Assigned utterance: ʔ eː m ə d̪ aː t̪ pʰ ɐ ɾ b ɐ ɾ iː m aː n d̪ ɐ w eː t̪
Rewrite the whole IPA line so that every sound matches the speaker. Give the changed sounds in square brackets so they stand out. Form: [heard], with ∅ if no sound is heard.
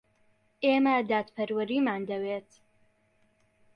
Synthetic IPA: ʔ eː m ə d̪ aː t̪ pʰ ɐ ɾ [w] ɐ ɾ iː m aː n d̪ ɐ w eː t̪